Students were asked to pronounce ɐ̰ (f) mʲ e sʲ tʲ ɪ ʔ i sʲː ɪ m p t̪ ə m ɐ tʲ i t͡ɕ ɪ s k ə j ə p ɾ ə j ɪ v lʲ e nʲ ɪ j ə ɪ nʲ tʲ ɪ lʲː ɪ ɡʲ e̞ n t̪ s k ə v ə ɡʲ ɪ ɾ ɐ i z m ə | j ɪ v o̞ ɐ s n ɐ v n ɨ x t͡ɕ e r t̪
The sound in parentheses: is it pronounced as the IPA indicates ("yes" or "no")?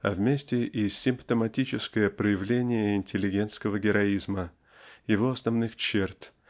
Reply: no